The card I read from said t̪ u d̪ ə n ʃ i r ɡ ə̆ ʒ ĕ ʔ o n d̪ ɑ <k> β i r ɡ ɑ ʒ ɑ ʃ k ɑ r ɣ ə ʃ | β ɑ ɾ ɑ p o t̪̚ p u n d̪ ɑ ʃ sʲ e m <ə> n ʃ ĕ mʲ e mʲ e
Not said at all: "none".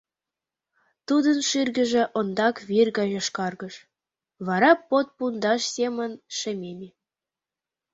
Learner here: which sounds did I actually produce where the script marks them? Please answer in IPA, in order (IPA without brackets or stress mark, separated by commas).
k, ə